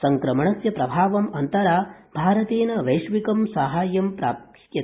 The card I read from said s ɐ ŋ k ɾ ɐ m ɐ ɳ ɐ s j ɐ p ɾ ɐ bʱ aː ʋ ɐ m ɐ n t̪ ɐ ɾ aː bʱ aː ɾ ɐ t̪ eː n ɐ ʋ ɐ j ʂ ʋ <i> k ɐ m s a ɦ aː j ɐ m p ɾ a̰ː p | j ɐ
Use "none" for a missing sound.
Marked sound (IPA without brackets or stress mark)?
i